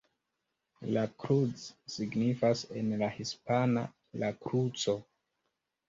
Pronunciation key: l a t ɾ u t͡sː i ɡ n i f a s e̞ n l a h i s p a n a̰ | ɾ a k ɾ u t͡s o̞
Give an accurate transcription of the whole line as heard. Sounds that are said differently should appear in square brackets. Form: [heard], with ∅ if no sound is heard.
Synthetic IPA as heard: l a [k] ɾ u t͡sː i ɡ n i f a s e̞ n l a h i s p a n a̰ | [l] a k ɾ u t͡s o̞